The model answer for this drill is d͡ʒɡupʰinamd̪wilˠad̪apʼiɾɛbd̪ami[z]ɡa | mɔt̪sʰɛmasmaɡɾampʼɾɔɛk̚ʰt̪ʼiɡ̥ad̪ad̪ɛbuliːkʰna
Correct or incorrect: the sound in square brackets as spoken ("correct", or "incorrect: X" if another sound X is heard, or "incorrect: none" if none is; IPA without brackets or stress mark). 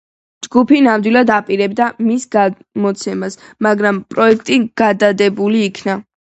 incorrect: s